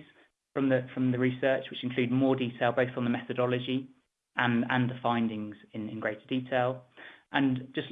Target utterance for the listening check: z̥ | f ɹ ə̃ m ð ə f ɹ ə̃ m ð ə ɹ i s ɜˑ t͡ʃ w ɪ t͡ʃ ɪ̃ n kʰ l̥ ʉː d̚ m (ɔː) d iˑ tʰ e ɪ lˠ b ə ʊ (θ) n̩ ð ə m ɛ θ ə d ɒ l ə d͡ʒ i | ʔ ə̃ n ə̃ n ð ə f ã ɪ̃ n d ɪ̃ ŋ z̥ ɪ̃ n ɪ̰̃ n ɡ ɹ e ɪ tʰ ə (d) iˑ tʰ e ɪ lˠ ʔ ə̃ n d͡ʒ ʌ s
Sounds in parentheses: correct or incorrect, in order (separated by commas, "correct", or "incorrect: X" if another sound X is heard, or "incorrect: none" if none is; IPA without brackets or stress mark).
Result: correct, correct, correct